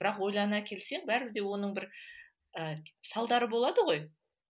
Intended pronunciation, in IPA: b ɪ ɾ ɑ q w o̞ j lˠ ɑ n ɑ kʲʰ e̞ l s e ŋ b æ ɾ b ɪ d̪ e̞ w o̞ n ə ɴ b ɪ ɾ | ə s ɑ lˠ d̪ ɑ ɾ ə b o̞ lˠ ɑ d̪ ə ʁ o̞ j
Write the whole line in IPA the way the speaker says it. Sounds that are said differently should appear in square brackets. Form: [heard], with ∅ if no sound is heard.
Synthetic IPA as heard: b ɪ ɾ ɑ q w o̞ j lˠ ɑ n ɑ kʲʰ e̞ l s e ŋ b æ ɾ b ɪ d̪ e̞ w o̞ n ə ɴ b ɪ ɾ | ə s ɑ lˠ d̪ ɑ ɾ ə b o̞ lˠ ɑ d̪ ə ʁ o̞ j